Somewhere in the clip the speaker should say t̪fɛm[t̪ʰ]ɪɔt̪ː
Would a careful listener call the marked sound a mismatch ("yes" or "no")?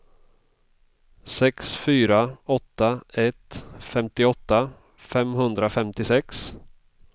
yes